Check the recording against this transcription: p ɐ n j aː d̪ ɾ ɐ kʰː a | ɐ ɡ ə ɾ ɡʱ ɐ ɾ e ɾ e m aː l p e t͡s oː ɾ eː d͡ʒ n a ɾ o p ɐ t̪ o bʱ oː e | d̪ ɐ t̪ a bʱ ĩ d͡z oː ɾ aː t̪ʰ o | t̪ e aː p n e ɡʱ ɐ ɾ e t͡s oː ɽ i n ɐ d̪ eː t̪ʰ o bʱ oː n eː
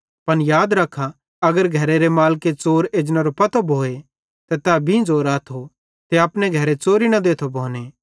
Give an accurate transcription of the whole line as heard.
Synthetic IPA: p ɐ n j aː d̪ ɾ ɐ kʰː a | ɐ ɡ ə ɾ ɡʱ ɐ ɾ e ɾ e m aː l k e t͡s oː ɾ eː d͡ʒ n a ɾ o p ɐ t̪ o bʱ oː e | t̪ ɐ t̪ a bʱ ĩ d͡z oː ɾ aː t̪ʰ o | t̪ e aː p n e ɡʱ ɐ ɾ e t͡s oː ɾ i n ɐ d̪ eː t̪ʰ o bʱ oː n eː